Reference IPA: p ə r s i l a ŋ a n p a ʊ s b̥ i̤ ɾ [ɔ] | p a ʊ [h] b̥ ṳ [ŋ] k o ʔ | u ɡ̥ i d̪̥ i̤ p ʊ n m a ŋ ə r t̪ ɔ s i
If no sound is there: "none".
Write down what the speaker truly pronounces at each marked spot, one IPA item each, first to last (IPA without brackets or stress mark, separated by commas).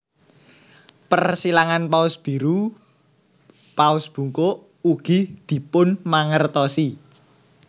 u, s, ŋ